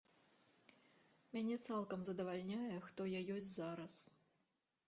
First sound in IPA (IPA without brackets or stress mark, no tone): mʲ